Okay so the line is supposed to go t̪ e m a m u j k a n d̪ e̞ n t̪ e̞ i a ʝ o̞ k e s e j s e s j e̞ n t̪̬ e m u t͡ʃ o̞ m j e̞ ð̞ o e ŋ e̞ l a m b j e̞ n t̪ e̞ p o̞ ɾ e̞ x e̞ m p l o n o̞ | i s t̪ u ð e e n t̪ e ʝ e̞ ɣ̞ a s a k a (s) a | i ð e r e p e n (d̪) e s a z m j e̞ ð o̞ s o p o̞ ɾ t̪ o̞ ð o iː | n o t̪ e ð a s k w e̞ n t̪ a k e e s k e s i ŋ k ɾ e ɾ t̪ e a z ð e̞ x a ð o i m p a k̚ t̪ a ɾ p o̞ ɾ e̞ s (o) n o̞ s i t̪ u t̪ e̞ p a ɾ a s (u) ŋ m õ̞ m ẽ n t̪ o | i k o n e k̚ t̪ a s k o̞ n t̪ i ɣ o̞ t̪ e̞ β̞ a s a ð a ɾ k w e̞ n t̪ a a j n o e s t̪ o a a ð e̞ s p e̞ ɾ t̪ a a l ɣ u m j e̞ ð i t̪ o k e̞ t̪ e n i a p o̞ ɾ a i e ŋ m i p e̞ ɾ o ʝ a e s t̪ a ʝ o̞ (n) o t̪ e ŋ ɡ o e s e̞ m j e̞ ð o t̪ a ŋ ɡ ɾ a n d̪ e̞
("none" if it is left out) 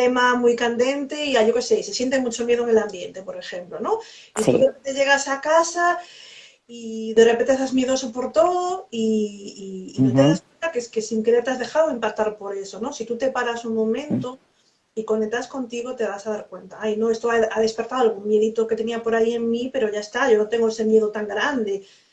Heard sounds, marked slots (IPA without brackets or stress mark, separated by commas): s, t̪, o, u, n